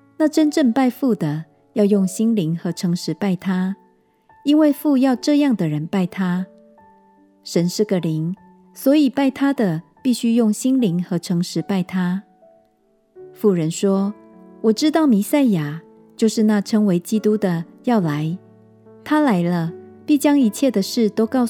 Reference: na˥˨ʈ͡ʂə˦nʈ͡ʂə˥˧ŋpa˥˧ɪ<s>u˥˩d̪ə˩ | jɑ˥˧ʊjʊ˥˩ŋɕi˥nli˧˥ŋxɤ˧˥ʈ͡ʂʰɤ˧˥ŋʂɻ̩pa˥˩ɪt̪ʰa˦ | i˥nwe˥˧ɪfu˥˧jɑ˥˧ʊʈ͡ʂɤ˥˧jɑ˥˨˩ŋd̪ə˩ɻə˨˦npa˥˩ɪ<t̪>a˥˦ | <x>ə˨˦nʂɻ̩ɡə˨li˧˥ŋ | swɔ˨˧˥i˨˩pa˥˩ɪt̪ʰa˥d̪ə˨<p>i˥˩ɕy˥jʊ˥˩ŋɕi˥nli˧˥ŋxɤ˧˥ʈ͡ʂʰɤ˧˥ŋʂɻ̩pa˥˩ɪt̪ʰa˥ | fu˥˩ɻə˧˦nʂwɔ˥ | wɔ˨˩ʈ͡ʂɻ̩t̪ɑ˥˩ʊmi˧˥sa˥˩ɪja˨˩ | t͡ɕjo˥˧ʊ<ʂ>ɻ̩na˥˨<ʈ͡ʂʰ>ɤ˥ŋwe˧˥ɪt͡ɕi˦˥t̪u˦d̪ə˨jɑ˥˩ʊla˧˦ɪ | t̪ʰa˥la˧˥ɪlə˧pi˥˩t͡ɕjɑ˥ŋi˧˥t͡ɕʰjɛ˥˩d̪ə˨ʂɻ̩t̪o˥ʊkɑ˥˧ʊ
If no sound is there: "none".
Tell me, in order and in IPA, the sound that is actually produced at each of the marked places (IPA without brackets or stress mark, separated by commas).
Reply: f, t̪ʰ, ʂ, p, ʂ, ʈ͡ʂʰ